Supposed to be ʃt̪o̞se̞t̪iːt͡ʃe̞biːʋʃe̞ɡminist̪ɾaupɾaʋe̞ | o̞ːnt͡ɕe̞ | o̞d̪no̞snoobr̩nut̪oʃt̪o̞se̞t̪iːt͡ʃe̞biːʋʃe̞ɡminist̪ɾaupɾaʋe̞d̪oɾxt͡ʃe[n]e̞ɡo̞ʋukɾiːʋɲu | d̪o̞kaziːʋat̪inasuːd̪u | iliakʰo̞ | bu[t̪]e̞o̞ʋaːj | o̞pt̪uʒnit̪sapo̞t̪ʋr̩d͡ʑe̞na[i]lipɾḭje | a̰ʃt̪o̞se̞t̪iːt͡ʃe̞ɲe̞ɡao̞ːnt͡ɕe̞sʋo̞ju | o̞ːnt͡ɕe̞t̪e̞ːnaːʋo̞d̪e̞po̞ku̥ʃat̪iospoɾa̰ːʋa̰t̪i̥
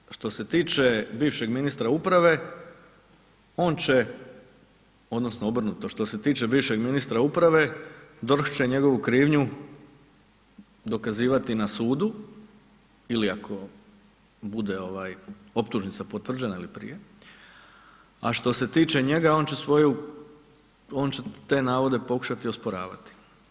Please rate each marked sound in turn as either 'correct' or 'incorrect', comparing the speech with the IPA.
incorrect: ɲ, incorrect: d̪, correct

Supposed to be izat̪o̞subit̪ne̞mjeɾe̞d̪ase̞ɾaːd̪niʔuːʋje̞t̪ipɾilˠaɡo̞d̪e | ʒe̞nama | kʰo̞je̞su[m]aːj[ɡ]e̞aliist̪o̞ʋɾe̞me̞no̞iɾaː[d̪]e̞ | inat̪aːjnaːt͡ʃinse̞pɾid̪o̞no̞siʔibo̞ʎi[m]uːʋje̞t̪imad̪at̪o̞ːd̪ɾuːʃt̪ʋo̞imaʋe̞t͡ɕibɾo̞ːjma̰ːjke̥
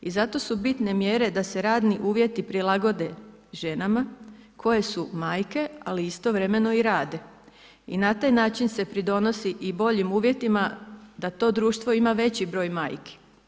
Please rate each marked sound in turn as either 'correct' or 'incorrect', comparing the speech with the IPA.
correct, incorrect: k, correct, correct

